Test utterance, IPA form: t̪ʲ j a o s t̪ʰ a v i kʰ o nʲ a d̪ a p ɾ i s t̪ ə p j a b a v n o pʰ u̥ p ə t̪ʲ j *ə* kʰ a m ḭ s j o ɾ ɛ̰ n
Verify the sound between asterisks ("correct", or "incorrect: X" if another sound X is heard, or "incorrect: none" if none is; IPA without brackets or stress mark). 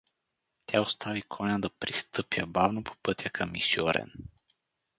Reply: incorrect: a